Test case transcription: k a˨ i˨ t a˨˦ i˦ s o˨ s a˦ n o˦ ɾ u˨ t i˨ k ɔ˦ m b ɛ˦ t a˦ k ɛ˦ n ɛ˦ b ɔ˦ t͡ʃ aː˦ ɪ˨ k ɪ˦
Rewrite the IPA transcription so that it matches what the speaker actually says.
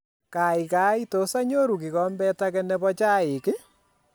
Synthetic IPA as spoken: k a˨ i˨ k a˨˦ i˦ t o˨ s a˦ ɲ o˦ ɾ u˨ k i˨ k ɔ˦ m b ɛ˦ t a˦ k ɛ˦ n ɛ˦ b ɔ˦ t͡ʃ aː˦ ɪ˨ k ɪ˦